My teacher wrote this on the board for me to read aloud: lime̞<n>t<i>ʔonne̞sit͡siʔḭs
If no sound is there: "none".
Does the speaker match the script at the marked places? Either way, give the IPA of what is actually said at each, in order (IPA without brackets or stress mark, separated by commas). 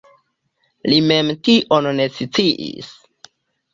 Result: m, i